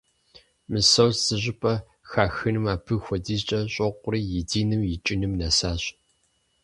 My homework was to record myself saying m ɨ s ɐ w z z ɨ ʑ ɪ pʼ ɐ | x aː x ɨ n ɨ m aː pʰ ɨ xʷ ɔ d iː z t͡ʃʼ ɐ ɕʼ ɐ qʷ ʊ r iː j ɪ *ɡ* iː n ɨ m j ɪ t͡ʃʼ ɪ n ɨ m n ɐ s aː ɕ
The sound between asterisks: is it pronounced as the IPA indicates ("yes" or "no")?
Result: no